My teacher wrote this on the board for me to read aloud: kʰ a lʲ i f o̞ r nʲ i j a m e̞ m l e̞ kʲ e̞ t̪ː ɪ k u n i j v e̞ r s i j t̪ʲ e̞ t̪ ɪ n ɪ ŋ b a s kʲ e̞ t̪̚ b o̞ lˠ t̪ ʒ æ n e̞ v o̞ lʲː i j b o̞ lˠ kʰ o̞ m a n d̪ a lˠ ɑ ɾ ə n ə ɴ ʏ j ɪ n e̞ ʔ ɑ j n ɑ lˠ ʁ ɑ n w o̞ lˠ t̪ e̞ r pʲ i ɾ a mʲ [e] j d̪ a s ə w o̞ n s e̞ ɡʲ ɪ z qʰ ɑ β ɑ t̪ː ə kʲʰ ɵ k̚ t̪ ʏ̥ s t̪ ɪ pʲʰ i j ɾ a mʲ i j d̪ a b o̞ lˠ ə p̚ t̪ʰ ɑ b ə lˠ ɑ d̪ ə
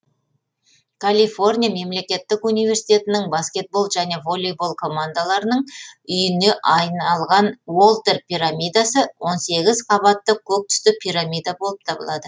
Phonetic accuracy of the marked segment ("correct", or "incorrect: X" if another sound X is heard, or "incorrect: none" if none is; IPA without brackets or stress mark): incorrect: i